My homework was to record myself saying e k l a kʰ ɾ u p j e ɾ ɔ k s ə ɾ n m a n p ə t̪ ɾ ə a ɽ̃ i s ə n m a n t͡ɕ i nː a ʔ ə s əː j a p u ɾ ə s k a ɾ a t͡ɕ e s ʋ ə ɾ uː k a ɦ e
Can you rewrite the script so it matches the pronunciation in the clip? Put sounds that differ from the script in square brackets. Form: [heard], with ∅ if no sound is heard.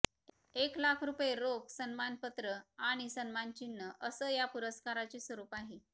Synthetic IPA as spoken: e k l a kʰ ɾ u p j e ɾ [o] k s ə [∅] n m a n p ə t̪ ɾ ə a ɽ̃ i s ə n m a n t͡ɕ i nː [ə] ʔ ə s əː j a p u ɾ ə s k a ɾ a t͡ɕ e s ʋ ə ɾ uː [p] a ɦ e